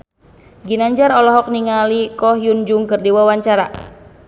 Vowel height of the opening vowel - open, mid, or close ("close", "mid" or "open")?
close